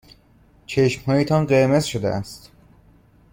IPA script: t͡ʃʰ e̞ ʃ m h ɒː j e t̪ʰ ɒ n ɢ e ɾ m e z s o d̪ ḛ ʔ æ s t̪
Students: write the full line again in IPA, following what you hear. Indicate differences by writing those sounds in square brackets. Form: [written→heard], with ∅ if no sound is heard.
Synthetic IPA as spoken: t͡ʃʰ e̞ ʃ m h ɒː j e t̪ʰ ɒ n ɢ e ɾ m e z [s→ʃ] o d̪ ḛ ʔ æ s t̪

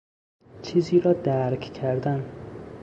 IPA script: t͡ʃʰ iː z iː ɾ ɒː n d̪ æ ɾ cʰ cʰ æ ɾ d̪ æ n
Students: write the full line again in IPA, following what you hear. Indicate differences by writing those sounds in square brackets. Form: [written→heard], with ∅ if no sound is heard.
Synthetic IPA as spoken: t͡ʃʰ iː z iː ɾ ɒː [n→∅] d̪ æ ɾ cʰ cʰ æ ɾ d̪ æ n

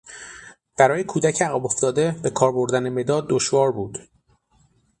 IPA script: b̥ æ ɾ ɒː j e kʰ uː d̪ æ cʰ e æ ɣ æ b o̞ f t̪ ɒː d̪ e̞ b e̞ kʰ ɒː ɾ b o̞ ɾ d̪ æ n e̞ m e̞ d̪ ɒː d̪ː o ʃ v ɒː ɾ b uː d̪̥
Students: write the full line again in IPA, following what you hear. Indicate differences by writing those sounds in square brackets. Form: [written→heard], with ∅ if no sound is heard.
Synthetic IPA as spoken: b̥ æ ɾ ɒː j e kʰ uː d̪ æ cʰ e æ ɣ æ b o̞ f t̪ ɒː d̪ e̞ b e̞ kʰ ɒː ɾ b o̞ ɾ d̪ æ n e̞ m e̞ d̪ ɒː d̪ː o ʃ v ɒː ɾ b uː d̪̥

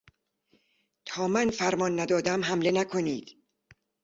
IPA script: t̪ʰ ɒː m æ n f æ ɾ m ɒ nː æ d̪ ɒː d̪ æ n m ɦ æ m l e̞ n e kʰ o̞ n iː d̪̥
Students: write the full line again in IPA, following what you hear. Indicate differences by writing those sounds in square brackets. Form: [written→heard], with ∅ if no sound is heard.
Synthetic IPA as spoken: t̪ʰ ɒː m æ n f æ ɾ m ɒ nː æ d̪ ɒː d̪ æ [n→∅] m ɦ æ m l e̞ n [e→æ] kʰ o̞ n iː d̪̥

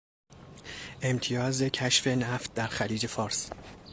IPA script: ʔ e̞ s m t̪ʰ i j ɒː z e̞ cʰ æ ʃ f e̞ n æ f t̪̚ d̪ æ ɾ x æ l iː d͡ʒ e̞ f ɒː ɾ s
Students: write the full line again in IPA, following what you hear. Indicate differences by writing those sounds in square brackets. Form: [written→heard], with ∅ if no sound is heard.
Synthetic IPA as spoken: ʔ e̞ [s→∅] m t̪ʰ i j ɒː z e̞ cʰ æ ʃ f e̞ n æ f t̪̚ d̪ æ ɾ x æ l iː d͡ʒ e̞ f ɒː ɾ s

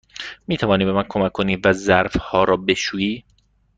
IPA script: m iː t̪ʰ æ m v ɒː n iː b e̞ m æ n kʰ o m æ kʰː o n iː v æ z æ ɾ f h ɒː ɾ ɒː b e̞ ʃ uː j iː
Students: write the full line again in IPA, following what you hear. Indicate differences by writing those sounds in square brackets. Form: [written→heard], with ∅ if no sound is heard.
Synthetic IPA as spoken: m iː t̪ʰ æ [m→∅] v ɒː n iː b e̞ m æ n kʰ o m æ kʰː o n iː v æ z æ ɾ f h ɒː ɾ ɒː b e̞ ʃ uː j iː

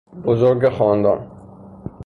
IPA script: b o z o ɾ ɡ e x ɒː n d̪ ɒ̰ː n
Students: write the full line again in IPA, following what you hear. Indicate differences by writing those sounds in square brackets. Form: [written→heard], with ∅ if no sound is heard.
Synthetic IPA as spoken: b o z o ɾ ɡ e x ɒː n d̪ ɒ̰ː n

